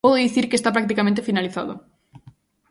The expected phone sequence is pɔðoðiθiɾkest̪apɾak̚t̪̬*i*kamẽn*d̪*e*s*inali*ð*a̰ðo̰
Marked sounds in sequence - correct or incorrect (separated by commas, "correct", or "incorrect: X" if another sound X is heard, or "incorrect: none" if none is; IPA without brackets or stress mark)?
correct, incorrect: t̪, incorrect: f, incorrect: θ